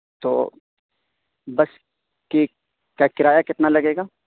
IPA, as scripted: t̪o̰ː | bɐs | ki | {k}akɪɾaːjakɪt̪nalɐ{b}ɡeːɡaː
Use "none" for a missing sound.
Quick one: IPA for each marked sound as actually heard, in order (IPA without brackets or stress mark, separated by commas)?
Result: k, none